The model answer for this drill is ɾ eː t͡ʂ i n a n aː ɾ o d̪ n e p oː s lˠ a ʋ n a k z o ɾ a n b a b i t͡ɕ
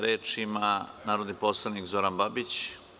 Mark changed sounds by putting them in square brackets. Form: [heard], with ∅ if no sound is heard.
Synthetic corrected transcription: ɾ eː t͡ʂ i [m] a n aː ɾ o d̪ n [i] p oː s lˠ a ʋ n [i] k z o ɾ a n b a b i t͡ɕ